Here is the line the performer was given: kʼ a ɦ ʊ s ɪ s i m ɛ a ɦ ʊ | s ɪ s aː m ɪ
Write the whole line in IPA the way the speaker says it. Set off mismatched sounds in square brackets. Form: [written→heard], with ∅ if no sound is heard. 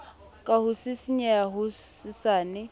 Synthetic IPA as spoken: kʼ a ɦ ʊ s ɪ s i [m→ɲ] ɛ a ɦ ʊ | s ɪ s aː [m→n] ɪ